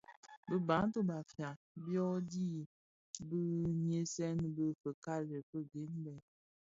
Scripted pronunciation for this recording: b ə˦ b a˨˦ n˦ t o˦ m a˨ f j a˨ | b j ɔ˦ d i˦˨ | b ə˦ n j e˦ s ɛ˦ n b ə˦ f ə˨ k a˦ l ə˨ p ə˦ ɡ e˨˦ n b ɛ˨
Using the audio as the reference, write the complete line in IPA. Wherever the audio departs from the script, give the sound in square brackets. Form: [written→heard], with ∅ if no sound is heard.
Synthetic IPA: b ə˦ b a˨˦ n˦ t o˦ [m→b] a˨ f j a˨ | b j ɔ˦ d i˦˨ | b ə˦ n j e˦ s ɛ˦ n b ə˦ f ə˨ k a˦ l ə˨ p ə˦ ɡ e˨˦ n b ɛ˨